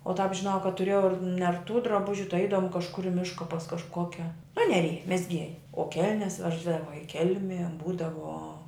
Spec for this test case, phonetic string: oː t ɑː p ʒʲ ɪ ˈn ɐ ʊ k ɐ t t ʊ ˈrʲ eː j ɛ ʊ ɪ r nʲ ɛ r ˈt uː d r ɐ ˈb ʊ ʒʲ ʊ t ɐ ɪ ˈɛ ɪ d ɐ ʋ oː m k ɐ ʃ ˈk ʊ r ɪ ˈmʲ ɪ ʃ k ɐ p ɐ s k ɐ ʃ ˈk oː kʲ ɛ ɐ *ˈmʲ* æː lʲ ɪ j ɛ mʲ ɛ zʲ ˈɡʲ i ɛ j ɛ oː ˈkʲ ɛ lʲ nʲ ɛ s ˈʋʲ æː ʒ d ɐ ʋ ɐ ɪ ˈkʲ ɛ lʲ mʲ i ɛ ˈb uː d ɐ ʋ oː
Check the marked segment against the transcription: incorrect: nʲ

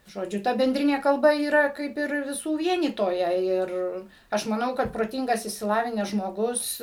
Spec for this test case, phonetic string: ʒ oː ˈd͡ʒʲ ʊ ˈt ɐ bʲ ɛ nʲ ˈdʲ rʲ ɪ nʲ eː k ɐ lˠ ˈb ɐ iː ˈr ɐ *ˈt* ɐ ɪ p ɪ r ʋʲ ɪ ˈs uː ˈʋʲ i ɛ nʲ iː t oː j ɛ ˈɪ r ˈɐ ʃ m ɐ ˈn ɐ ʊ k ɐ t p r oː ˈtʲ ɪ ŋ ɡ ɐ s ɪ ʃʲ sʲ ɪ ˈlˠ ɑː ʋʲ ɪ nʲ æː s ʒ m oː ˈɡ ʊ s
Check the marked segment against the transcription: incorrect: k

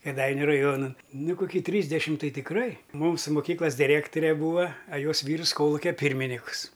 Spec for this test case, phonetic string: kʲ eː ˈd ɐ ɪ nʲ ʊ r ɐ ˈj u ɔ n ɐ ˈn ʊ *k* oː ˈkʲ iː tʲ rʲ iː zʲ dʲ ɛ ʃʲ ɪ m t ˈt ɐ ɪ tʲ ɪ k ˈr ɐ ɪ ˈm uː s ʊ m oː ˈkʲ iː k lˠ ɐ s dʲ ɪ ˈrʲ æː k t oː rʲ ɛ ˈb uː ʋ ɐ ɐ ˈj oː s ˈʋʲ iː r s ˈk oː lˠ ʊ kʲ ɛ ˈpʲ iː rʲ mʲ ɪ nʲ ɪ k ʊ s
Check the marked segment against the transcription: correct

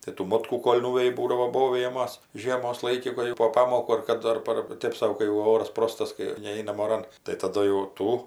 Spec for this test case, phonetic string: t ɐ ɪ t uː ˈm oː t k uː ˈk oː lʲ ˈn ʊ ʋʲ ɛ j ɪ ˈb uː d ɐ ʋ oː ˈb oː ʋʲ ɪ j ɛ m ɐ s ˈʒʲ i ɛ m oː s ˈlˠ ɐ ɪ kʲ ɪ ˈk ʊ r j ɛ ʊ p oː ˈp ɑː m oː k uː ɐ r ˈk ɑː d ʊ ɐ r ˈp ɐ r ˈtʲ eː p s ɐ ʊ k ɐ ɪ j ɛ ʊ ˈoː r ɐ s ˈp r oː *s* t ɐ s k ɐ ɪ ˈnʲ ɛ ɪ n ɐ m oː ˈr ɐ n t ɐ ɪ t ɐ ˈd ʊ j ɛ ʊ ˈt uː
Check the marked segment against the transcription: correct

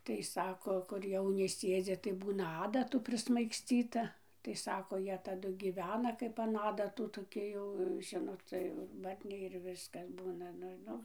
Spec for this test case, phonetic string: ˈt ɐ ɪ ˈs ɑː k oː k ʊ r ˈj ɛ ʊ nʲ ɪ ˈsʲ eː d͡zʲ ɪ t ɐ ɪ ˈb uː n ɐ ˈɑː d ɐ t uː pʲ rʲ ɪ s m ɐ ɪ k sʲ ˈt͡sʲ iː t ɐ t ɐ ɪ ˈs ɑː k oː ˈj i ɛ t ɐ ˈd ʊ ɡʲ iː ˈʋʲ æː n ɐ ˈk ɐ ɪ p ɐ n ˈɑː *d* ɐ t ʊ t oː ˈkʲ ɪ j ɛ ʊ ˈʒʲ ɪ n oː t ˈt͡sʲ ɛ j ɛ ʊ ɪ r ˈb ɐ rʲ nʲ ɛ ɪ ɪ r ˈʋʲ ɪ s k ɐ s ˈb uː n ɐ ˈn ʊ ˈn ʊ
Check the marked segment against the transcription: correct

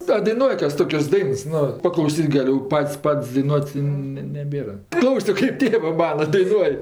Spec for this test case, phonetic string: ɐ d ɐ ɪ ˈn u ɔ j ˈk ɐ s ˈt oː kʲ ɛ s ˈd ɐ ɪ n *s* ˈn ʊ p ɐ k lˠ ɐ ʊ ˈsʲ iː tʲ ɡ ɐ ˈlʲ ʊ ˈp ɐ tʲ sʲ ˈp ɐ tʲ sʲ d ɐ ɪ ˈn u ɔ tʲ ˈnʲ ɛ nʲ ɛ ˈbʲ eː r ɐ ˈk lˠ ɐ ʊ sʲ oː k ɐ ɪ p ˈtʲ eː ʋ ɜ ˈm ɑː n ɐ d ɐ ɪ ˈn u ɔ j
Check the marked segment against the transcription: correct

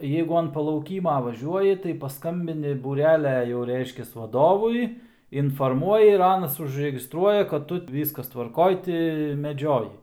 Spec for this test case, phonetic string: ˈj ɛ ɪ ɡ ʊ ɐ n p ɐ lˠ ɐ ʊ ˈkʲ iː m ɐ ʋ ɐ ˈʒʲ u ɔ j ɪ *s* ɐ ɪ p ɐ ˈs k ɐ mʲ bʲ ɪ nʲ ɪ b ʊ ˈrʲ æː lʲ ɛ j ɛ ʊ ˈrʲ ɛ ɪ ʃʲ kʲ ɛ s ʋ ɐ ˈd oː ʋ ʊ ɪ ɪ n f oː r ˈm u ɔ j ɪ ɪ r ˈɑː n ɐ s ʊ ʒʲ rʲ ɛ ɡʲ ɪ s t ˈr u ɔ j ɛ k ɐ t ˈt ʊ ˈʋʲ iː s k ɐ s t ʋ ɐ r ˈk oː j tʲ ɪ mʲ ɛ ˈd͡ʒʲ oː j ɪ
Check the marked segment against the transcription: incorrect: t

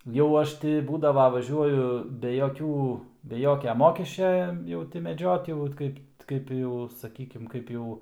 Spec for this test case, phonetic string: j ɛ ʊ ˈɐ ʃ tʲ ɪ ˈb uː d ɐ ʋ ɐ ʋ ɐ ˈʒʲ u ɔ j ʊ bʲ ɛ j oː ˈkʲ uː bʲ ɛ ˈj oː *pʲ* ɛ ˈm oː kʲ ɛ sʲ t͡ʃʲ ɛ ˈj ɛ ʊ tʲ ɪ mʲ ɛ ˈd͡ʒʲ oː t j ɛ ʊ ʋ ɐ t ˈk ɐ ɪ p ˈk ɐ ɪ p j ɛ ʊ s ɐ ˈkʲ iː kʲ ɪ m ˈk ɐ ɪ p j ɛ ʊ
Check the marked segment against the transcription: incorrect: kʲ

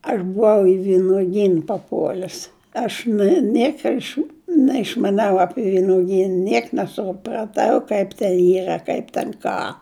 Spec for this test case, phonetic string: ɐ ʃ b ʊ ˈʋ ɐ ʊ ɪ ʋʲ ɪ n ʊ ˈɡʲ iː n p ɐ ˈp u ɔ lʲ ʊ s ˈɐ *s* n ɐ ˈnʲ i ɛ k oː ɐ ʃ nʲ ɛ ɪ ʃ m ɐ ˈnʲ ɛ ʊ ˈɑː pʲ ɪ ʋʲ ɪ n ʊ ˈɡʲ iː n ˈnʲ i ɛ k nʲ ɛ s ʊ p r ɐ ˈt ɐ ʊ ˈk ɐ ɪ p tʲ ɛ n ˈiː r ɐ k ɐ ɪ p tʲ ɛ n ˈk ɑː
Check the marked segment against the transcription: incorrect: ʃ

